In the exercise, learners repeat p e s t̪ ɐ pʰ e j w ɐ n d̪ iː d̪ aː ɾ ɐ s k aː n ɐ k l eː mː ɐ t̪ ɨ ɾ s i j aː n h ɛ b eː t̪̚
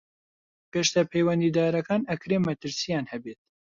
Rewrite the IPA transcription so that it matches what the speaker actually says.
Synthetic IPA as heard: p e ʃ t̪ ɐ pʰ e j w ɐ n d̪ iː d̪ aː ɾ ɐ k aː n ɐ k ɾ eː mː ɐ t̪ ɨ ɾ s i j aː n h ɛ b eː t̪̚